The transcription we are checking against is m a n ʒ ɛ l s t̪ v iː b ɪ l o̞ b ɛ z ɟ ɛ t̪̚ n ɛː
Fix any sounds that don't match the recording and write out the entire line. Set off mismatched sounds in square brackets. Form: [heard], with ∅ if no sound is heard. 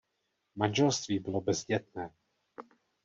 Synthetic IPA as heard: m a n ʒ ɛ l s t̪ v iː b ɪ l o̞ b ɛ z ɟ ɛ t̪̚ n ɛː